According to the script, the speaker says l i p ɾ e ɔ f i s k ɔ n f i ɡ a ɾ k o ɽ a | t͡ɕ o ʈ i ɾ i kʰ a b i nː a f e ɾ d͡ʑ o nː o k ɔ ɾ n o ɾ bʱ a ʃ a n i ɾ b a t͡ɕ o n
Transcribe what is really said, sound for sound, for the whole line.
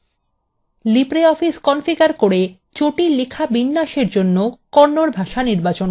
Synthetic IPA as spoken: l i p ɾ e ɔ f i s k ɔ n f i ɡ a ɾ k o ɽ e | t͡ɕ o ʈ i l i kʰ a b i nː a ʃ e ɾ d͡ʑ o nː o k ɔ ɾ n o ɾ bʱ a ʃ a n i ɾ b a t͡ɕ o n